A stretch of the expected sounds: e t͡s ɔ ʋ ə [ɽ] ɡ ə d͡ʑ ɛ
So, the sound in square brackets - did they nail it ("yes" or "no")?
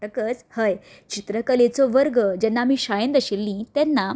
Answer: no